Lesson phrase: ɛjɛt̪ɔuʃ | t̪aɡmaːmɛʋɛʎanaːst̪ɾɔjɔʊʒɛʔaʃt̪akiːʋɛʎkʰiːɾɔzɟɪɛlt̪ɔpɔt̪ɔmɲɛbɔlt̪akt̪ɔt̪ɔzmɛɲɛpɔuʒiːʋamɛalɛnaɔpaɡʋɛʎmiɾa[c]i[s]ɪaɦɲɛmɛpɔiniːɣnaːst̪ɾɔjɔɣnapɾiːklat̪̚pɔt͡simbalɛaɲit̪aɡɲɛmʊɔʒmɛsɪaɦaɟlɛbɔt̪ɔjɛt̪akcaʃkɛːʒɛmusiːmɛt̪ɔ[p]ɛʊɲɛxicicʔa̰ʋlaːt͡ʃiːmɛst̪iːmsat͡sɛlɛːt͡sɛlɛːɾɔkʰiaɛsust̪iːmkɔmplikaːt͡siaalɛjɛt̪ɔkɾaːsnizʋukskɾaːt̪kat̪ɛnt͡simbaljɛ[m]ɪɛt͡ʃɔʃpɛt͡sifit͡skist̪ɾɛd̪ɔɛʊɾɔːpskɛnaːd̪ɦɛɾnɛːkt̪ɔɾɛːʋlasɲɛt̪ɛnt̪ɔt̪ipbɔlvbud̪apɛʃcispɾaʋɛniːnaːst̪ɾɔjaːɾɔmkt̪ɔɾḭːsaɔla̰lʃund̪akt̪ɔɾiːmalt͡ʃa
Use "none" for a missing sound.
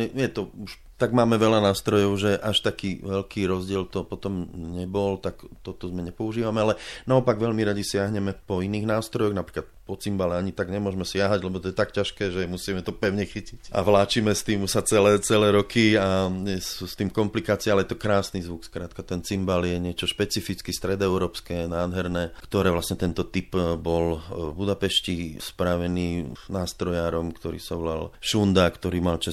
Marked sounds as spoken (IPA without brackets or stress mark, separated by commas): ɟ, s, p, ɲ